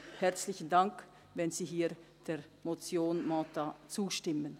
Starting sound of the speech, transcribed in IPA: h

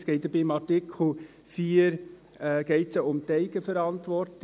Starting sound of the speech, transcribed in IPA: s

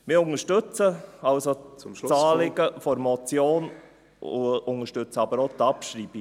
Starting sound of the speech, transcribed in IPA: m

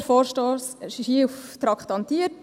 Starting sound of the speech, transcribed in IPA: f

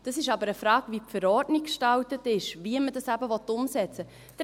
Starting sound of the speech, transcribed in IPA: d̥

